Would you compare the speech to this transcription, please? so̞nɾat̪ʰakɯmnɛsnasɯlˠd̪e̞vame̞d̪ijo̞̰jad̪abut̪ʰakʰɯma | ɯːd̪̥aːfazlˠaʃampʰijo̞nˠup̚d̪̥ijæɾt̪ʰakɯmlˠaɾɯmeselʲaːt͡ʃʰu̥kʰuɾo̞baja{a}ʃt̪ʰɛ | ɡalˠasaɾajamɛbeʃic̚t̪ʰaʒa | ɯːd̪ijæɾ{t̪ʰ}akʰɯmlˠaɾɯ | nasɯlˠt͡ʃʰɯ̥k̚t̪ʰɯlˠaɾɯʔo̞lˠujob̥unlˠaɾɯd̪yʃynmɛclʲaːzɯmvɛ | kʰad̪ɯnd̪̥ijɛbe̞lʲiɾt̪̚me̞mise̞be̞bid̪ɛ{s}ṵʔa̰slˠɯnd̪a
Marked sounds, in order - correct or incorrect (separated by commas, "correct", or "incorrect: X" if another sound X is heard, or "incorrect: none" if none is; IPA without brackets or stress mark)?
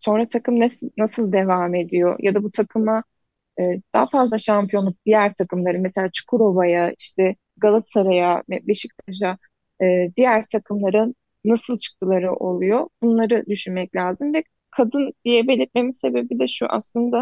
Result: incorrect: i, correct, incorrect: ʃ